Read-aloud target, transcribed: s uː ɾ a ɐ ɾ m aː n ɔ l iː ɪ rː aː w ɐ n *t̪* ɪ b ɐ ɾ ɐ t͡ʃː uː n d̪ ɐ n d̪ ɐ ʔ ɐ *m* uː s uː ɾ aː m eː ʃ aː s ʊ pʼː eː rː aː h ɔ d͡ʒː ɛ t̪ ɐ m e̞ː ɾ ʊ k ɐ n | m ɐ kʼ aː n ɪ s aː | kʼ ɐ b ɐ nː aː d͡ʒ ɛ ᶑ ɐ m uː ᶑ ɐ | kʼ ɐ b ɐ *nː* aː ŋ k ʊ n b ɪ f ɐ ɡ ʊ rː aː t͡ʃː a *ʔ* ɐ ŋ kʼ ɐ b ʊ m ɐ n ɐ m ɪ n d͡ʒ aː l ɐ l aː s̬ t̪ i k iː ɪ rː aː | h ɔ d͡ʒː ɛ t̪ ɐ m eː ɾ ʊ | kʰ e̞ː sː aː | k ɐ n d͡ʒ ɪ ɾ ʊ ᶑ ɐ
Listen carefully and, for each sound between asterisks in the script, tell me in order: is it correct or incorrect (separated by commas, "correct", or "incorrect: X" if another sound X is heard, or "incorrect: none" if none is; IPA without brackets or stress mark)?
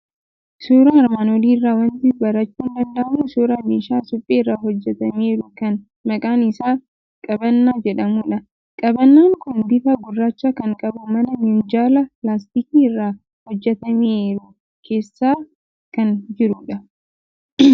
correct, correct, correct, incorrect: k